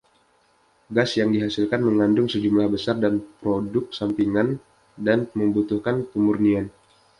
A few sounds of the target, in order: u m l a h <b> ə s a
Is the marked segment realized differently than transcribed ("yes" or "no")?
no